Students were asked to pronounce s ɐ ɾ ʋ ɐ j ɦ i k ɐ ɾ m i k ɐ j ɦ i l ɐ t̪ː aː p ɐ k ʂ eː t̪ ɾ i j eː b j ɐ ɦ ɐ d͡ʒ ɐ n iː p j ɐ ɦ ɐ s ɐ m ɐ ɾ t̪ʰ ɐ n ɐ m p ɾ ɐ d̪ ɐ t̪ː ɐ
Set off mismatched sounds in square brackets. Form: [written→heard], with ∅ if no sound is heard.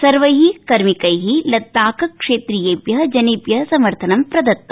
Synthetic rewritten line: s ɐ ɾ ʋ ɐ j ɦ i k ɐ ɾ m i k ɐ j ɦ i l ɐ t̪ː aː [p→k] ɐ k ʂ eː t̪ ɾ i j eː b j ɐ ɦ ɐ d͡ʒ ɐ n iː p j ɐ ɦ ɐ s ɐ m ɐ ɾ t̪ʰ ɐ n ɐ m p ɾ ɐ d̪ ɐ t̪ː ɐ

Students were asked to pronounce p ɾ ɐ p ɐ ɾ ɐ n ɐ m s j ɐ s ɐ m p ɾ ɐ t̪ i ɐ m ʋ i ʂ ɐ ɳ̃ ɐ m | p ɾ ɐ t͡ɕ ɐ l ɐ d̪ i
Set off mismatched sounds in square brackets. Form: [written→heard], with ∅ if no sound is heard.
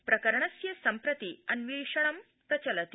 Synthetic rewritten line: p ɾ ɐ [p→k] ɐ ɾ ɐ [n→ɳ] ɐ [m→∅] s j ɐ s ɐ m p ɾ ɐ t̪ i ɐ [m→n] ʋ i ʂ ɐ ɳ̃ ɐ m | p ɾ ɐ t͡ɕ ɐ l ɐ [d̪→t̪] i

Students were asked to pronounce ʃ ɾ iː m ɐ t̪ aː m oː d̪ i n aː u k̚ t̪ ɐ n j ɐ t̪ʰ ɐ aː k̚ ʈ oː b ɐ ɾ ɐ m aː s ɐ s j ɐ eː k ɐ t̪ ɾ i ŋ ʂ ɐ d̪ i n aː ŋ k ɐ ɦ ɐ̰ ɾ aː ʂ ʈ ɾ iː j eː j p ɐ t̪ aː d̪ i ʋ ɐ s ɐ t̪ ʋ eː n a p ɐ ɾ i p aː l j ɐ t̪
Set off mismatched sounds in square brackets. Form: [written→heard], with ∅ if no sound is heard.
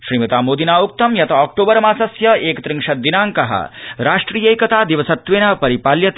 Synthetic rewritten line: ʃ ɾ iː m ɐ t̪ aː m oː d̪ i n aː u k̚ t̪ ɐ [n→m] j ɐ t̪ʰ ɐ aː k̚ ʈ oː b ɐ ɾ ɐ m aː s ɐ s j ɐ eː k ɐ t̪ ɾ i ŋ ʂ ɐ d̪ i n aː ŋ k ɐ ɦ ɐ̰ ɾ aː ʂ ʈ ɾ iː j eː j [p→k] ɐ t̪ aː d̪ i ʋ ɐ s ɐ t̪ ʋ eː n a p ɐ ɾ i p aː l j ɐ t̪

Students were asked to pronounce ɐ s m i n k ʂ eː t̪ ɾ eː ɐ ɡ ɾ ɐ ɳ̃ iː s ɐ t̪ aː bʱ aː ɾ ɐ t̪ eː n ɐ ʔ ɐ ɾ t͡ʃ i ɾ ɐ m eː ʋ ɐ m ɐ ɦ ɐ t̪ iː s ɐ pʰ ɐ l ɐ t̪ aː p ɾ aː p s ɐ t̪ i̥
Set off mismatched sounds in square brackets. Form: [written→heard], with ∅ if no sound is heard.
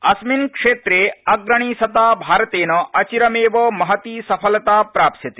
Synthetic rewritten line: ɐ s m i n k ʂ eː t̪ ɾ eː ɐ ɡ ɾ ɐ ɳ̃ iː s ɐ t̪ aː bʱ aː ɾ ɐ t̪ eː n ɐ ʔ ɐ [ɾ→∅] t͡ʃ i ɾ ɐ m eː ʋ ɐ m ɐ ɦ ɐ t̪ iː s ɐ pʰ ɐ l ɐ t̪ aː p ɾ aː p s ɐ t̪ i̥

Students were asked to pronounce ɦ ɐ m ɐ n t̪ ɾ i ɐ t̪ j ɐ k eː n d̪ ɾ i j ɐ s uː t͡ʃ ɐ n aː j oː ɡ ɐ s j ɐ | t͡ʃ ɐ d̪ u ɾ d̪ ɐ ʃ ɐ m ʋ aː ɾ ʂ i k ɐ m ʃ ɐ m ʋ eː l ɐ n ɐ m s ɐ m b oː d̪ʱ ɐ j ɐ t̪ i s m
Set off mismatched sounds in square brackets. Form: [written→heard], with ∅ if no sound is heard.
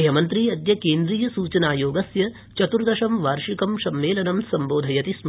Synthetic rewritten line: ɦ ɐ m ɐ n t̪ ɾ i ɐ [t̪→d̪] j ɐ k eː n d̪ ɾ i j ɐ s uː t͡ʃ ɐ n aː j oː ɡ ɐ s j ɐ | t͡ʃ ɐ [d̪→t̪] u ɾ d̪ ɐ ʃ ɐ m ʋ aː ɾ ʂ i k ɐ m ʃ ɐ m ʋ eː l ɐ n ɐ m s ɐ m b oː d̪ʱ ɐ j ɐ t̪ i s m

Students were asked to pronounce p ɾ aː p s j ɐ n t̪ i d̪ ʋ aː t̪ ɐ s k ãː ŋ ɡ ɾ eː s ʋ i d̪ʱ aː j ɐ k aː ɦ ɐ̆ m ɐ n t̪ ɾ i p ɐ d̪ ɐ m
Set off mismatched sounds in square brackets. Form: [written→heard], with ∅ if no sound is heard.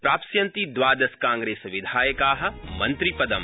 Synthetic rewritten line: p ɾ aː p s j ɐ n t̪ i d̪ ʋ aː [t̪→d̪] ɐ s k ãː ŋ ɡ ɾ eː s ʋ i d̪ʱ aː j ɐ k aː ɦ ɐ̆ m ɐ n t̪ ɾ i p ɐ d̪ ɐ m

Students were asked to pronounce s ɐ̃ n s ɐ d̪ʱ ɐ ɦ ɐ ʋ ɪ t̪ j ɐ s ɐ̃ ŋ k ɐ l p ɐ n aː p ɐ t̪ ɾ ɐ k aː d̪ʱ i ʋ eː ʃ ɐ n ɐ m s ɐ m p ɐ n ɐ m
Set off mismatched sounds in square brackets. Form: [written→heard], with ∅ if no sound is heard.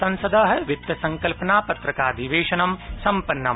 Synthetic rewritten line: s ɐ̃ n s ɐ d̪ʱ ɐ ɦ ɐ ʋ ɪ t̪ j ɐ s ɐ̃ ŋ k ɐ l p ɐ n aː p ɐ t̪ ɾ ɐ k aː d̪ʱ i ʋ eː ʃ ɐ n ɐ m s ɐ m p ɐ [n→nː] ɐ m

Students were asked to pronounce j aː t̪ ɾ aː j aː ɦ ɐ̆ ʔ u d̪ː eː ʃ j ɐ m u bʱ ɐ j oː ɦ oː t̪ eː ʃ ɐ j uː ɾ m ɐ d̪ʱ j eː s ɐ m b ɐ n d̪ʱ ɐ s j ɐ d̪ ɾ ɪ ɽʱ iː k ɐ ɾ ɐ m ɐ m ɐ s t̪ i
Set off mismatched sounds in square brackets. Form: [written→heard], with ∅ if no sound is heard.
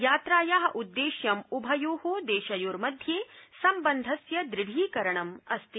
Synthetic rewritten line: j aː t̪ ɾ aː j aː ɦ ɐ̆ ʔ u d̪ː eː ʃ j ɐ m u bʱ ɐ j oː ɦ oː [t̪→d̪] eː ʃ ɐ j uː ɾ m ɐ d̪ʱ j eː s ɐ m b ɐ n d̪ʱ ɐ s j ɐ d̪ ɾ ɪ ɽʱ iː k ɐ ɾ ɐ [m→ɳ] ɐ m ɐ s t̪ i

